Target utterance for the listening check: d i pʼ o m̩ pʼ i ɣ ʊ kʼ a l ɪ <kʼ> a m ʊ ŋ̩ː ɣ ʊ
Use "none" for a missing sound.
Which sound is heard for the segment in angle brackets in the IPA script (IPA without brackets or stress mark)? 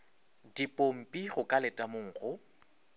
tʼ